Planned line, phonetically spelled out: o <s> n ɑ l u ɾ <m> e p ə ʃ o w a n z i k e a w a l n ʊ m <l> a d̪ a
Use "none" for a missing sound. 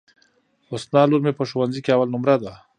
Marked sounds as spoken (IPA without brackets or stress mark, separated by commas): s, m, ɾ